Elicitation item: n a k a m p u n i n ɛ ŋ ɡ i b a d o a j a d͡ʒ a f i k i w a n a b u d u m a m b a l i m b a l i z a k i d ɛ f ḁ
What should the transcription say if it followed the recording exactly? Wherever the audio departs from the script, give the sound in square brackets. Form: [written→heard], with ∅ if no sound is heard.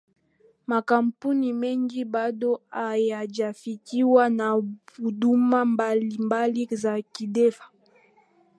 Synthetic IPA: [n→m] a k a m p u n i [n→m] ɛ ŋ ɡ i b a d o a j a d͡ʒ a f i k i w a n a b u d u m a m b a l i m b a l i z a k i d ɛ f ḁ